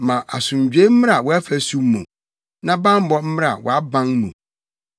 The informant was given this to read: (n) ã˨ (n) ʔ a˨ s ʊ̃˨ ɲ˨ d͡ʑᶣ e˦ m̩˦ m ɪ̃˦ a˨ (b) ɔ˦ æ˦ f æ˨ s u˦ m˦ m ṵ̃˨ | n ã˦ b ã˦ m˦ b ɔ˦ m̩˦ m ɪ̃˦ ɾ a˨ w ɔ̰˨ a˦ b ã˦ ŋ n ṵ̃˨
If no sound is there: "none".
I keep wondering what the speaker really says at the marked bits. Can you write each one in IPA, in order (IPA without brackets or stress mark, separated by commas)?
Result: m, none, w